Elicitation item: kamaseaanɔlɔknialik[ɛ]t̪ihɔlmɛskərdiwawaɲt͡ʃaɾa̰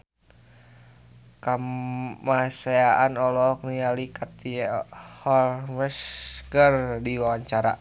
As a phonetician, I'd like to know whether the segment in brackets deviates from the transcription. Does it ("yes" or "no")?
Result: yes